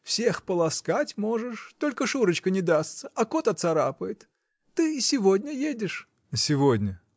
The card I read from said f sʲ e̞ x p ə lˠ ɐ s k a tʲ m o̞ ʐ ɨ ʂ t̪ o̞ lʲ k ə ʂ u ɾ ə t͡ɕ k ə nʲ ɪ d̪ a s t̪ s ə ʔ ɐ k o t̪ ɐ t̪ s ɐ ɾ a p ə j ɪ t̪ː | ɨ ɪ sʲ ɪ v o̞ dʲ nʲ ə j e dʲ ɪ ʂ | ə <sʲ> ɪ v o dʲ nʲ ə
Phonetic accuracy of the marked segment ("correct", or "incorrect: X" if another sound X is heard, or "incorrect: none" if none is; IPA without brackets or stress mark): correct